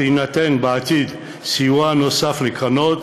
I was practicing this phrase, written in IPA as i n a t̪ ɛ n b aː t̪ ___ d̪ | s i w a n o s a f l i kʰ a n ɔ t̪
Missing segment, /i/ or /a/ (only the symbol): i